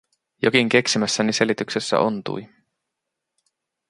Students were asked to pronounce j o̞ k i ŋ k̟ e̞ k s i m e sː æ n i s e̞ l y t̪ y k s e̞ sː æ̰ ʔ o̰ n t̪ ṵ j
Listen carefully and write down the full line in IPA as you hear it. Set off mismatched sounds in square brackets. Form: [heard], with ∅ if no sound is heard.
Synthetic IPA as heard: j o̞ k i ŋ k̟ e̞ k s i m [æ] sː æ n i s e̞ l [i] t̪ y k s e̞ sː æ̰ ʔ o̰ n t̪ ṵ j

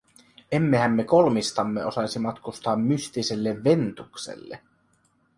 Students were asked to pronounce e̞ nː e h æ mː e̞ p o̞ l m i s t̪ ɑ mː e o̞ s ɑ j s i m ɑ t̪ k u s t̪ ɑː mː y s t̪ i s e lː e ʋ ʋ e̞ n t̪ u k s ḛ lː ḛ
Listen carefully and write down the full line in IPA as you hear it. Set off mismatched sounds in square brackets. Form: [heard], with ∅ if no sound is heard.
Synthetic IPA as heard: e̞ [mː] e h æ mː e̞ [k] o̞ l m i s t̪ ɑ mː e o̞ s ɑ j s i m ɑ t̪ k u s t̪ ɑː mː y s t̪ i s e lː e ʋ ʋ e̞ n t̪ u k s ḛ lː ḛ

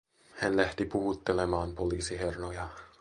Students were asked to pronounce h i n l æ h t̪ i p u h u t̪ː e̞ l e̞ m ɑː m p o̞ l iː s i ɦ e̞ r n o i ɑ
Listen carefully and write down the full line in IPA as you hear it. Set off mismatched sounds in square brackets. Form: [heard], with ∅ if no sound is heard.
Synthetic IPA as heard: h [æ] n l æ h t̪ i p u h u t̪ː e̞ l e̞ m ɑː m p o̞ l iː s i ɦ e̞ r n o [j] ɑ

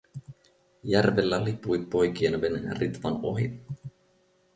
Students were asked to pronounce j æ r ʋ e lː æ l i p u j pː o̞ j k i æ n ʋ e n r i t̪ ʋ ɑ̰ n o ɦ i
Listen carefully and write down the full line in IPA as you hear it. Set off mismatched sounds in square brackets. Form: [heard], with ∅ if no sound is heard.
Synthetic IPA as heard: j æ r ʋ e lː æ l i p u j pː o̞ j k i [e] n ʋ e n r i t̪ ʋ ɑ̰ n o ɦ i

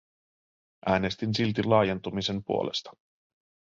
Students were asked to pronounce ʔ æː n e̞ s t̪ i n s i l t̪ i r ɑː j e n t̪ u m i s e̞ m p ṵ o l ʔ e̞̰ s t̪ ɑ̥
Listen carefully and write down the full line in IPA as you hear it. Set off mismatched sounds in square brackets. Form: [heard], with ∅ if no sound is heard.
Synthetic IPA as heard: ʔ æː n e̞ s t̪ i n s i l t̪ i [l] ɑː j e n t̪ u m i s e̞ m p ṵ o l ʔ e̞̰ s t̪ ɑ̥

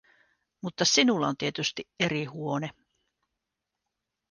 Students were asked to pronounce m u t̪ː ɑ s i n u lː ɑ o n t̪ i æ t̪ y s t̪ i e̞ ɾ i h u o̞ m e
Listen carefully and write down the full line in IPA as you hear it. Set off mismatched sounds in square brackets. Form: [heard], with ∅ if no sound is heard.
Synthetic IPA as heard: m u t̪ː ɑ s i n u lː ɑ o n t̪ i [e] t̪ y s t̪ i e̞ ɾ i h u o̞ [n] e

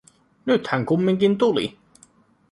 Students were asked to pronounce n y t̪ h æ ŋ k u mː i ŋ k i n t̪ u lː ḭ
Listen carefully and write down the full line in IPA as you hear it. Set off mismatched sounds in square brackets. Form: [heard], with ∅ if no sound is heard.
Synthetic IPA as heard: n y t̪ h æ ŋ k u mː i ŋ k i n t̪ u [l] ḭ

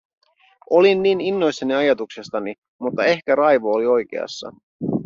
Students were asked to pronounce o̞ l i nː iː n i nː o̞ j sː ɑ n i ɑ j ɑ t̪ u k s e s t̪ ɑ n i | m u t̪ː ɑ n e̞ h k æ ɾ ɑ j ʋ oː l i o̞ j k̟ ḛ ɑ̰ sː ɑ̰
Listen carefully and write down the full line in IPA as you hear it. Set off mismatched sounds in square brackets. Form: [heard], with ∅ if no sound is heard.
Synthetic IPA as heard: o̞ l i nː iː n i nː o̞ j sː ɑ n i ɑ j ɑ t̪ u k s e s t̪ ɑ n i | m u t̪ː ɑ [∅] e̞ h k æ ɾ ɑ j ʋ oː l i o̞ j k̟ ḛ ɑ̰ sː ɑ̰

